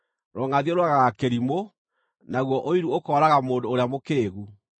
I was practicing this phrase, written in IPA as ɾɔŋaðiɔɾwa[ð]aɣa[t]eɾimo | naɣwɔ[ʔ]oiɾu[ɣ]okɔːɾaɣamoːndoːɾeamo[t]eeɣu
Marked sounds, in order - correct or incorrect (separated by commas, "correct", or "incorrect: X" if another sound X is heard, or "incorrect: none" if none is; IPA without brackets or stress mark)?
incorrect: ɣ, incorrect: k, correct, incorrect: none, incorrect: k